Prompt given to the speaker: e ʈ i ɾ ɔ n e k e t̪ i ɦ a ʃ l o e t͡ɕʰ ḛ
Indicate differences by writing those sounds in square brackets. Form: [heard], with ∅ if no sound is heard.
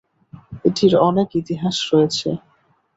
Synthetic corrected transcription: e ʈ i ɾ ɔ n e k [i] t̪ i ɦ a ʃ [ɾ] o e t͡ɕʰ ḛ